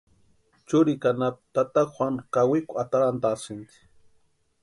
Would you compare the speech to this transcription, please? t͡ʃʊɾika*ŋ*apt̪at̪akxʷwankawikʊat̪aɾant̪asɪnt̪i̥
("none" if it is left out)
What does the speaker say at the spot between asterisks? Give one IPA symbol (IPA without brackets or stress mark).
n